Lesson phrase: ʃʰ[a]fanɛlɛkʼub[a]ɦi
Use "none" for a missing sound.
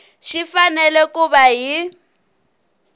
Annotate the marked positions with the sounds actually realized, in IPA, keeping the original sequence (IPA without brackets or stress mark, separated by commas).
i, a